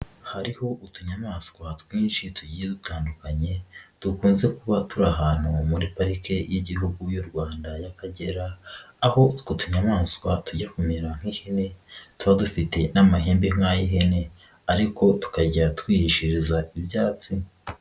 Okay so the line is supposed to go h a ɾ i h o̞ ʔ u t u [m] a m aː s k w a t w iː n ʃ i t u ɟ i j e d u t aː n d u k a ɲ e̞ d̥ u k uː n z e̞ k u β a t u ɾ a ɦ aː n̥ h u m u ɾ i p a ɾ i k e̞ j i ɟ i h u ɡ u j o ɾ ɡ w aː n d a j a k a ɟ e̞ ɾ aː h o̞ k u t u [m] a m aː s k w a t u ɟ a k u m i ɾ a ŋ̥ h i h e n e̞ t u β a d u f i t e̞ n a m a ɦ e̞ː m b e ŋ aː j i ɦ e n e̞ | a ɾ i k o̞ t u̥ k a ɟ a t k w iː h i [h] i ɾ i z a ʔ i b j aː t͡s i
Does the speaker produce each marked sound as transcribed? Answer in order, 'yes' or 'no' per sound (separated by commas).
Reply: no, no, no